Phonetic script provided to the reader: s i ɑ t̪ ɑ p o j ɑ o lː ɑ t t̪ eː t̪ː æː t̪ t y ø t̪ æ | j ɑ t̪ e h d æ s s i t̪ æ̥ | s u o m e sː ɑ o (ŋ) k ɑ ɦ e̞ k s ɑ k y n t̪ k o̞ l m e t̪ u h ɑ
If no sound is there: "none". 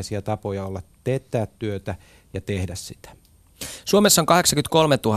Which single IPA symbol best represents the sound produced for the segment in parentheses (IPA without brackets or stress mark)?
ŋ